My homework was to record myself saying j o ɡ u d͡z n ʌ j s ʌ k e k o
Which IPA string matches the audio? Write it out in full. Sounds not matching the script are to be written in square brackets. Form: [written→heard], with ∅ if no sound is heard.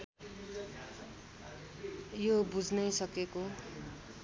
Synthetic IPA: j o [ɡ→b] u d͡z n ʌ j s ʌ k e k o

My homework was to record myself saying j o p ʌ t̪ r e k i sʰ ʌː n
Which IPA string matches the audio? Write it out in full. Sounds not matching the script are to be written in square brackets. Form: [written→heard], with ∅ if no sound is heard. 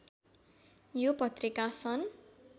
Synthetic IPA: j o p ʌ t̪ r [e→i] k [i→a] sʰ [ʌː→ʌ] n

